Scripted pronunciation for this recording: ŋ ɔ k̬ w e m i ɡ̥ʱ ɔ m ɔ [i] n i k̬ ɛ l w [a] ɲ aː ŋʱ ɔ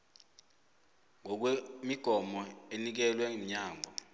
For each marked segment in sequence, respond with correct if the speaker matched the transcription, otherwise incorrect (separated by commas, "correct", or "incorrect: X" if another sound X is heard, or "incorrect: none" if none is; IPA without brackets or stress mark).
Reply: incorrect: e, incorrect: ɛ